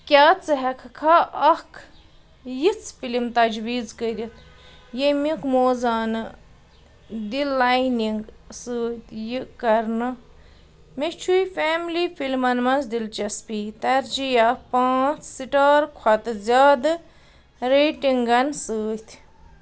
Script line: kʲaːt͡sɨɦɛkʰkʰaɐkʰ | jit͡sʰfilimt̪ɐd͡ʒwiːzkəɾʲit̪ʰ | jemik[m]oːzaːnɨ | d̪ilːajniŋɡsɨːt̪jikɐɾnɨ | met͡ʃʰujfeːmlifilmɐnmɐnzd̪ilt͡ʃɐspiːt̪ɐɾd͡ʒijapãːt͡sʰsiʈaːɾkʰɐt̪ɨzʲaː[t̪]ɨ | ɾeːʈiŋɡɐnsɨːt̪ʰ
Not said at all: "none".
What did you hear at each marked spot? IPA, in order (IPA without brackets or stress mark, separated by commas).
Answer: m, d̪